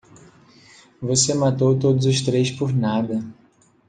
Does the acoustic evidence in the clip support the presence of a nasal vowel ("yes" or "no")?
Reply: no